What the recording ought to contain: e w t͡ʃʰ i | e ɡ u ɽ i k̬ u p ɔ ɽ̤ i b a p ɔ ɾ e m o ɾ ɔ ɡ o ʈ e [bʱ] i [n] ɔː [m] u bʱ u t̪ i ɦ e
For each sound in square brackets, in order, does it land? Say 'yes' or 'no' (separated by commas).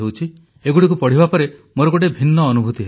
yes, no, no